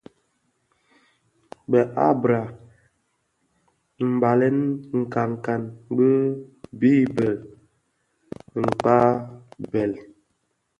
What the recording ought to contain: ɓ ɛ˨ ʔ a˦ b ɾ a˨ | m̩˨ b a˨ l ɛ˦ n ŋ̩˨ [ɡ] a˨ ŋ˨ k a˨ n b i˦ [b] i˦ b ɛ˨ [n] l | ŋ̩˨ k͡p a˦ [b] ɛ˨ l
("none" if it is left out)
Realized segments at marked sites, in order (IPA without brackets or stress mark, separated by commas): k, b, none, b